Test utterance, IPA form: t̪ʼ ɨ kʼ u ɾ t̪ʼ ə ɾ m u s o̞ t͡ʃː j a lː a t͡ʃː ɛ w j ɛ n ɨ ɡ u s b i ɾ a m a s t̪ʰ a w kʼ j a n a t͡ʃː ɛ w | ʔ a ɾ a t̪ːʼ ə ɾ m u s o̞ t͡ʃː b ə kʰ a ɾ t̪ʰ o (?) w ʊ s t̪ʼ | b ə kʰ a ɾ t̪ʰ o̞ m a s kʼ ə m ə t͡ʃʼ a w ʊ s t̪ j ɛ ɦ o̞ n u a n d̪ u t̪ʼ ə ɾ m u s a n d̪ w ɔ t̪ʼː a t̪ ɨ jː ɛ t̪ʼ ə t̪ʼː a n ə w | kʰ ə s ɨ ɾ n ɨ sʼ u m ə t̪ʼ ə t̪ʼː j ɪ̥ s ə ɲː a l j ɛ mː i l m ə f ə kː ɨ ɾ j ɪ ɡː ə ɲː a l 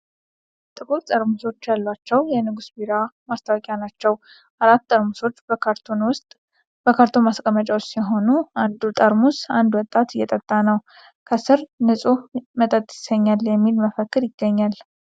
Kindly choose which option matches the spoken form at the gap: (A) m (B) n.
B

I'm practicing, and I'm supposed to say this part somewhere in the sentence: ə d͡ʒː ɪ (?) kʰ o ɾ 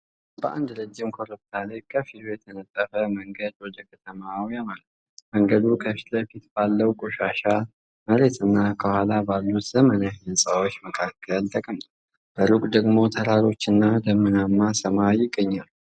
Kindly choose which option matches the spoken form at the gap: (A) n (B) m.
B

